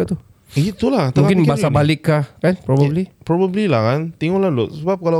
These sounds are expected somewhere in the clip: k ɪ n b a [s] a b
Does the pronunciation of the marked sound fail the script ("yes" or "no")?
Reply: no